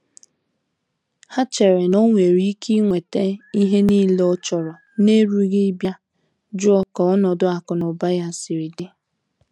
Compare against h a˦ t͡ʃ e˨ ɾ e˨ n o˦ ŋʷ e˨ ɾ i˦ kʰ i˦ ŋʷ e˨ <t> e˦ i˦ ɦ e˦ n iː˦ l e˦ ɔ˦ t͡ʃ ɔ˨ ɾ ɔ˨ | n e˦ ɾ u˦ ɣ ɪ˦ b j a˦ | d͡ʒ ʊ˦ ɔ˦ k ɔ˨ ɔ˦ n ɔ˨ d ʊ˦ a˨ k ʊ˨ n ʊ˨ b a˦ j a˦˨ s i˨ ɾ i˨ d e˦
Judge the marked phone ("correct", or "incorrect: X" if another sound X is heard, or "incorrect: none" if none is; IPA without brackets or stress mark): correct